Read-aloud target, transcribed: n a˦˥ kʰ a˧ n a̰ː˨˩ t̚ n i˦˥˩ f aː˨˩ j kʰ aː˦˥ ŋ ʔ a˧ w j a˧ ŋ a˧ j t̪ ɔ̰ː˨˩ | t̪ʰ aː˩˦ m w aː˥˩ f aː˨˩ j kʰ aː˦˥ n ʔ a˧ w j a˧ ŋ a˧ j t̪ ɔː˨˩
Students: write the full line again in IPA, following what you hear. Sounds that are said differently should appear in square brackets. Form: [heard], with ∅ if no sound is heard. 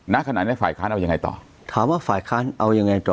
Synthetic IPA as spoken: n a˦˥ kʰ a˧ n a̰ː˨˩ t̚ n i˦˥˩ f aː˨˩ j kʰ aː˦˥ [n] ʔ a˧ w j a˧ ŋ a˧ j t̪ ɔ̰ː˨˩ | t̪ʰ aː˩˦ m w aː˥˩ f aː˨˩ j kʰ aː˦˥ n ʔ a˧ w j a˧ ŋ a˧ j t̪ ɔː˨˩